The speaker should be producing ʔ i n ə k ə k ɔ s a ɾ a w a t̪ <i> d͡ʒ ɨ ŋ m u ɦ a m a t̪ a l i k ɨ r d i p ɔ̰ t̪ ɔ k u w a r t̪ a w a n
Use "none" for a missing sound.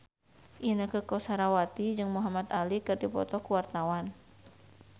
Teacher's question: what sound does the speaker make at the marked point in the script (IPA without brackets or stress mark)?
i